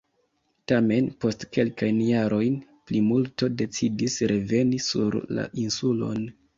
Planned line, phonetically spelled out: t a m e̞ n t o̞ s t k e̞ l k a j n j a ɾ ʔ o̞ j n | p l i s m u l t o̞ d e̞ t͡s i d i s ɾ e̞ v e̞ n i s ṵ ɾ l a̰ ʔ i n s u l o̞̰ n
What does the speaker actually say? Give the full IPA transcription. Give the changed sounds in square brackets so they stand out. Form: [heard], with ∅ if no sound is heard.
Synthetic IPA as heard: t a m e̞ n [p] o̞ s t k e̞ l k a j n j a ɾ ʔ o̞ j n | p l i [∅] m u l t o̞ d e̞ t͡s i d i s ɾ e̞ v e̞ n i s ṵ ɾ l a̰ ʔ i n s u l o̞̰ n